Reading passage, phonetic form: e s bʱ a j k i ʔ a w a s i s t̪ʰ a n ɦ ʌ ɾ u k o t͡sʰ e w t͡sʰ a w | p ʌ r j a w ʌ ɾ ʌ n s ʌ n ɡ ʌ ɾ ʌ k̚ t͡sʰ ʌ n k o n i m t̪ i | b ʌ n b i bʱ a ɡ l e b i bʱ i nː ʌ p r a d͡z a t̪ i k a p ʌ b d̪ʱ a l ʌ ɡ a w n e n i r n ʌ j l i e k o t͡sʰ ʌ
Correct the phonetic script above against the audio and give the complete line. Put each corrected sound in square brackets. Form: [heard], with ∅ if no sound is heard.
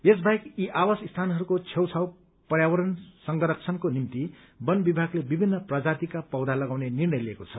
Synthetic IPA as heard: e s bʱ a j k i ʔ a w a s i s t̪ʰ a n ɦ ʌ ɾ u k o t͡sʰ e w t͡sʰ a w | p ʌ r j a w ʌ ɾ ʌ n s ʌ [ŋ] ɡ ʌ ɾ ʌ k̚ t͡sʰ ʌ n k o n i m t̪ i | b ʌ n b i bʱ a ɡ l e b i bʱ i nː ʌ p r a d͡z a t̪ i k a p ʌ [w] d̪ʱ a l ʌ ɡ a w n e n i r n ʌ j l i e k o t͡sʰ ʌ